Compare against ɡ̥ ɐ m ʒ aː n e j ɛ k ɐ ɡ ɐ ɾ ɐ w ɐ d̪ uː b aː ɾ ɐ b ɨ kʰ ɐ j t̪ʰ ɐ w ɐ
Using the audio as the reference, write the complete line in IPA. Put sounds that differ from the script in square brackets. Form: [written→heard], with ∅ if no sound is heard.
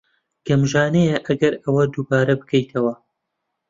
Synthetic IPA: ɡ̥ ɐ m ʒ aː n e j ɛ [k→ʔ] ɐ ɡ ɐ ɾ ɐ w ɐ d̪ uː b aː ɾ ɐ b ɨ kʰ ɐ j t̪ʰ ɐ w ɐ

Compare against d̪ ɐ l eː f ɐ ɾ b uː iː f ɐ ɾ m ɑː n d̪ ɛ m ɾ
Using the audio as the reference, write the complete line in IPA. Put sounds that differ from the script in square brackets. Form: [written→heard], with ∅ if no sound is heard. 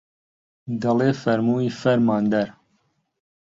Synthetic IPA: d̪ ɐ l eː f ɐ ɾ [b→m] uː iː f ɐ ɾ m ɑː n d̪ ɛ [m→∅] ɾ

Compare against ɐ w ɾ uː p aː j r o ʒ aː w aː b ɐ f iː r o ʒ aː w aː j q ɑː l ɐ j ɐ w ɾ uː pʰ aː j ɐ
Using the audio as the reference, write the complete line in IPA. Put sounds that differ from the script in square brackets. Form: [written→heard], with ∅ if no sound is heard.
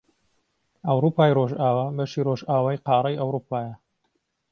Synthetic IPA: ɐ w ɾ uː p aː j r o ʒ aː w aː b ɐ [f→ʃ] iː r o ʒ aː w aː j q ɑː [l→ɾ] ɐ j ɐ w ɾ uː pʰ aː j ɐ

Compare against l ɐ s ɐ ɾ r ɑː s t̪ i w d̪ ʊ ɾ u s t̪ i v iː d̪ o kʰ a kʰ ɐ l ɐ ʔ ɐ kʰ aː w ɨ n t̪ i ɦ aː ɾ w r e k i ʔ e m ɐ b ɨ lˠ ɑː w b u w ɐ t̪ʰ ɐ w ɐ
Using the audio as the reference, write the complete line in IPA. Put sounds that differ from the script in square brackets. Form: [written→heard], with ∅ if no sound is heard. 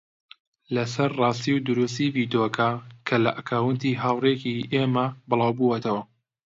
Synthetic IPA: l ɐ s ɐ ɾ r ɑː s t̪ i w d̪ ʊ ɾ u s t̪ i v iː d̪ o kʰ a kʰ ɐ l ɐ ʔ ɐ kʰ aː w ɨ n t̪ i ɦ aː [ɾ→∅] w r e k i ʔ e m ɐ b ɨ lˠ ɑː w b u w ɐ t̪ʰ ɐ w ɐ

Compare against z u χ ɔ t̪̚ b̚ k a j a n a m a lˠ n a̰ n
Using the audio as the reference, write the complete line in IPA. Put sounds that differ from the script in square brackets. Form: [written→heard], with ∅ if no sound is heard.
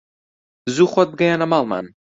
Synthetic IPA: z u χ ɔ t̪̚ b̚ [k→ɡ] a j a n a m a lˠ [n→m] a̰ n

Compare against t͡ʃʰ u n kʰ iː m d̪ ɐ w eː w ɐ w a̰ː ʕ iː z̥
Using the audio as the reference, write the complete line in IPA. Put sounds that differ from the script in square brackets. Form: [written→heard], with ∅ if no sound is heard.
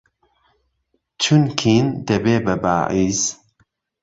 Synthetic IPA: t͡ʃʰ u n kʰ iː [m→n] d̪ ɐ [w→b] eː [w→b] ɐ [w→b] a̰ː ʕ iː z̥

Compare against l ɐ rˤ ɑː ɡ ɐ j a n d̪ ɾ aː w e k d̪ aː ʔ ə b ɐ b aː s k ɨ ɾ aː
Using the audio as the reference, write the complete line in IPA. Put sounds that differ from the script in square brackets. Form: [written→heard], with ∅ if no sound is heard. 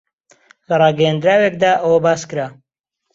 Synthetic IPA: l ɐ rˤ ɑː ɡ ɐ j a n d̪ ɾ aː w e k d̪ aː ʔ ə [b→w] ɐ b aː s k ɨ ɾ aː

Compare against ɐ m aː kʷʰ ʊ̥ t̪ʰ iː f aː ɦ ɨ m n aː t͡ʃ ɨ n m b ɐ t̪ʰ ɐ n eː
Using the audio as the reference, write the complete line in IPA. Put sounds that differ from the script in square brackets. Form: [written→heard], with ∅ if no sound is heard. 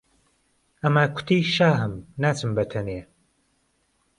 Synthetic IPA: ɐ m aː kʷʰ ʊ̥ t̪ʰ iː [f→ʃ] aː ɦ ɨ m n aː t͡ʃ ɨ [n→∅] m b ɐ t̪ʰ ɐ n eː

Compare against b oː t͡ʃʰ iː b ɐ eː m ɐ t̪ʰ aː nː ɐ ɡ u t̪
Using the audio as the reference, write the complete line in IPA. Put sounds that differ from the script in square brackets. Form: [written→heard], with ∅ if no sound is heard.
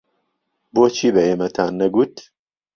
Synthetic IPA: b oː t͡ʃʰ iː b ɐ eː m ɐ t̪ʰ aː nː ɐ ɡ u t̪

